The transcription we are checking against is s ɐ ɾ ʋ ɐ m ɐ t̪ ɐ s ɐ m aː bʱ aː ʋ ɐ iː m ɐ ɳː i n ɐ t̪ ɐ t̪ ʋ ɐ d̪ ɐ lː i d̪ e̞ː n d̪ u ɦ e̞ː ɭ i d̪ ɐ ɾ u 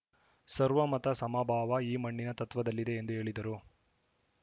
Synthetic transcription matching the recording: s ɐ ɾ ʋ ɐ m ɐ t̪ ɐ s ɐ m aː bʱ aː ʋ ɐ iː m ɐ ɳː i n ɐ t̪ ɐ t̪ ʋ ɐ d̪ ɐ lː i d̪ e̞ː n d̪ u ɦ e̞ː ɭ i d̪ ɐ ɾ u